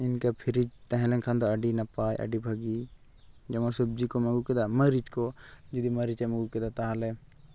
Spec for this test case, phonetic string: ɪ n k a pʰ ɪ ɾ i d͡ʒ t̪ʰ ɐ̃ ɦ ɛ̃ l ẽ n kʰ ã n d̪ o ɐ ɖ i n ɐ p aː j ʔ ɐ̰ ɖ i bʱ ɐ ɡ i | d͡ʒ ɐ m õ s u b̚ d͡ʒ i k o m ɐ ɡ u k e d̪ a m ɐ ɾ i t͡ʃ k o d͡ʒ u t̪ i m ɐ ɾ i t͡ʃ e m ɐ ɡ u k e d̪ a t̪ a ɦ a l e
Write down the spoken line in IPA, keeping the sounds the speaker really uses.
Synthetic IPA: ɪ n k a pʰ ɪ ɾ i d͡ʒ t̪ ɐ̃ ɦ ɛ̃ l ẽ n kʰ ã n d̪ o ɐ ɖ i n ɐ p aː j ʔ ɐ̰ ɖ i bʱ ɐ ɡ i | d͡ʒ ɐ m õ s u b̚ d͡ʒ i k o m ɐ ɡ u k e d̪ a m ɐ ɾ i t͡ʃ k o d͡ʒ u d̪ i m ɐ ɾ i t͡ʃ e m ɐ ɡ u k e d̪ a t̪ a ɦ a l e